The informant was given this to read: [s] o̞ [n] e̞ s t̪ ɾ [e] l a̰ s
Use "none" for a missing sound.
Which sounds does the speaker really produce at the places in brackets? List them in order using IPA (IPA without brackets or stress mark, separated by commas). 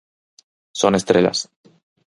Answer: s, n, e